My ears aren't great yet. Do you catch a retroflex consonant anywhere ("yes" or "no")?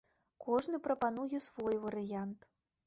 yes